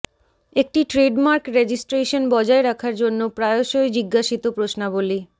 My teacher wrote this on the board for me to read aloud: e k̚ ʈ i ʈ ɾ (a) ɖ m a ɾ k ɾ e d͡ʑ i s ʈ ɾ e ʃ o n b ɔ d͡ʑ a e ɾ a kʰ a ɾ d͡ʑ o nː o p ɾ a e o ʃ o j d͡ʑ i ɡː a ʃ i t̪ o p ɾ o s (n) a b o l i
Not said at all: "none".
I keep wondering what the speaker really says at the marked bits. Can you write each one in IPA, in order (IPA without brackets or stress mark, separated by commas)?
e, n